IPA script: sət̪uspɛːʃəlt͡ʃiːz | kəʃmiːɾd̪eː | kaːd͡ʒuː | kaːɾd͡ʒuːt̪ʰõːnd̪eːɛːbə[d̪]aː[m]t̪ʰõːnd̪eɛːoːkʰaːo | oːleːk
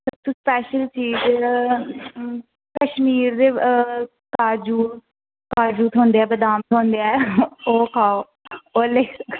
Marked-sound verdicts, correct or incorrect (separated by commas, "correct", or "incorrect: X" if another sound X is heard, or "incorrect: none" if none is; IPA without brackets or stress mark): correct, correct